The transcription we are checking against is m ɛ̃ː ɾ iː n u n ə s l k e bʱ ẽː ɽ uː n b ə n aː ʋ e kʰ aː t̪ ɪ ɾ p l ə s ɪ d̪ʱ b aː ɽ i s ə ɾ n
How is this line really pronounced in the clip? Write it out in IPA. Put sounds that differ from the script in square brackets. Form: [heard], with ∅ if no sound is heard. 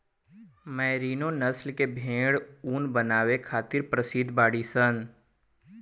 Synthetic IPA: m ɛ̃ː ɾ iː n [o] n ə s l k e bʱ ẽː ɽ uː n b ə n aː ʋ e kʰ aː t̪ ɪ ɾ p [ɾ] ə s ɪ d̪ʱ b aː ɽ i s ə [∅] n